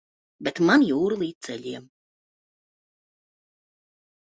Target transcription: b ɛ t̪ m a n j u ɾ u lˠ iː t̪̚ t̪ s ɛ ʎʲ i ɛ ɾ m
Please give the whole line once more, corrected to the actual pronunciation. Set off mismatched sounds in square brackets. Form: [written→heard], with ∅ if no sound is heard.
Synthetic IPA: b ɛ t̪ m a n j [u→uː] ɾ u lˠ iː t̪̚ t̪ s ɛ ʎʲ i ɛ [ɾ→∅] m

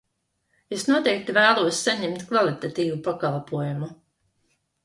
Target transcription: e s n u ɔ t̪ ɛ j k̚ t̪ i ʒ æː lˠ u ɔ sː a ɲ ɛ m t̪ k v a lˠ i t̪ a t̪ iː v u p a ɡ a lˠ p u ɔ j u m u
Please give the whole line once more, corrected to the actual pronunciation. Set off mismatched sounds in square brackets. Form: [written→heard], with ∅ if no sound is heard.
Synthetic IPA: e s n u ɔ t̪ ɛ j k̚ t̪ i [ʒ→v] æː lˠ u ɔ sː a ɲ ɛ m t̪ k v a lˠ i t̪ a t̪ iː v u p a [ɡ→k] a lˠ p u ɔ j u m u

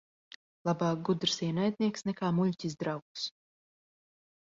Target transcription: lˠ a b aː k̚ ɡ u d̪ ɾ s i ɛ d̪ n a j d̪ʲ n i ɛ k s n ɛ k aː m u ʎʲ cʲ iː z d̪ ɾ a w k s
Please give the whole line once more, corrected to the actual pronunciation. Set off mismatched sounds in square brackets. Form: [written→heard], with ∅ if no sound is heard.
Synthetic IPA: lˠ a b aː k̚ ɡ u d̪ ɾ s i ɛ [d̪→∅] n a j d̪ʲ n i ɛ k s n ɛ k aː m u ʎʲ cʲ [iː→i] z d̪ ɾ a w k s

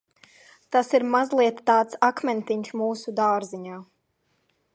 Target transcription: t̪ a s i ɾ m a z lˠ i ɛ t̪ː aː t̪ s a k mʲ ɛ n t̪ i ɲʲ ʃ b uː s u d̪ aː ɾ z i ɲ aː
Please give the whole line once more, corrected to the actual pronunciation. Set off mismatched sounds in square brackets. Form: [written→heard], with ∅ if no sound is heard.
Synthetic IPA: t̪ a s i ɾ m a z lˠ i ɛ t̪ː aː t̪ s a k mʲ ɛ n t̪ i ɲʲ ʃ [b→m] uː s u d̪ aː ɾ z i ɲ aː

